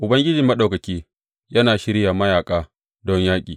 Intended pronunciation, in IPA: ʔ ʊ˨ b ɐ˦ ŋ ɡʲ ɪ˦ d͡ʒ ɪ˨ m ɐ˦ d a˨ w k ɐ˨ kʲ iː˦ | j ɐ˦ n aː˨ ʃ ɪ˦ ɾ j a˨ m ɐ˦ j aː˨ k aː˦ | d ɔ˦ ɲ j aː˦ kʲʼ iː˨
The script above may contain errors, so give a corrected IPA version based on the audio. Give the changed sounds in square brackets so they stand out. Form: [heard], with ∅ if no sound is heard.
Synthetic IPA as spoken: ʔ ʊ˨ b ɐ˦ ŋ ɡʲ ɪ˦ d͡ʒ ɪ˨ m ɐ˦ [ɗ] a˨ w k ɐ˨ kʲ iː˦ | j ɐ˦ n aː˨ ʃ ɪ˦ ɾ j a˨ m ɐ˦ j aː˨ [kʼ] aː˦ | d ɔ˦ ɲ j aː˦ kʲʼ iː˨